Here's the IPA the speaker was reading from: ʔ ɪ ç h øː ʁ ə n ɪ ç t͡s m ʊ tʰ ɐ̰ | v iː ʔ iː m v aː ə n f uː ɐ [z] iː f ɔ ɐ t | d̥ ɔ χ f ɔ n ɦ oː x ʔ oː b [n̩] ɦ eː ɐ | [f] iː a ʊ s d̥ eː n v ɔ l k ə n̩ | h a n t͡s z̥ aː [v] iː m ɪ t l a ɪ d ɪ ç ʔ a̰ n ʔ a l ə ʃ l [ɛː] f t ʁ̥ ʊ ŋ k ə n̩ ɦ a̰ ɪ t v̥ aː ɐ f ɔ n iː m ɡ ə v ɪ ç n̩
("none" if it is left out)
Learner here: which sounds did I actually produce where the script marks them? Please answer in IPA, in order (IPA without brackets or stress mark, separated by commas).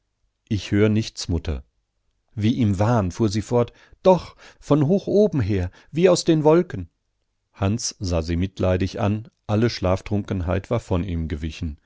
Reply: z, m̩, v, z, aː